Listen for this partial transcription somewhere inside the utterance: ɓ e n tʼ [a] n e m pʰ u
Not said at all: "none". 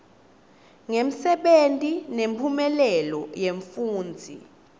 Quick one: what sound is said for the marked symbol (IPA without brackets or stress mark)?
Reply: i